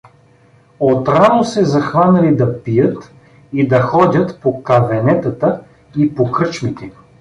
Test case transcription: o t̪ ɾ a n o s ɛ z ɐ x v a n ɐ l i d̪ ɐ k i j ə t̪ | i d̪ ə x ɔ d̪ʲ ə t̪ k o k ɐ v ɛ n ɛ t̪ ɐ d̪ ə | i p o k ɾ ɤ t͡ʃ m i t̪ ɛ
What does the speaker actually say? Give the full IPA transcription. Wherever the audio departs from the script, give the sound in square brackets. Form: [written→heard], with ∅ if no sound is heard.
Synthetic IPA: o t̪ ɾ a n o s ɛ z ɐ x v a n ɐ l i d̪ ɐ [k→p] i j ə t̪ | i d̪ [ə→ɐ] x ɔ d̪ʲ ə t̪ [k→p] o k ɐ v ɛ n ɛ t̪ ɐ [d̪→t̪] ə | i p o k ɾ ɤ t͡ʃ m i t̪ ɛ